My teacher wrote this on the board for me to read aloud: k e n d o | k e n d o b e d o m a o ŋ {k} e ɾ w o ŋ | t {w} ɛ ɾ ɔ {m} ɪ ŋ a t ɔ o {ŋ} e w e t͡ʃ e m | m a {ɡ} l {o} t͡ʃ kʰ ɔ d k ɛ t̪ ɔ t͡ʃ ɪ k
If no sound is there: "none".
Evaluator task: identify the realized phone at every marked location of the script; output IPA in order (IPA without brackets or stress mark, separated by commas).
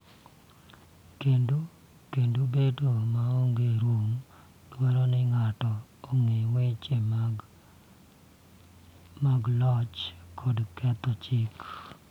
ɡ, w, n, ŋ, ɡ, ɔ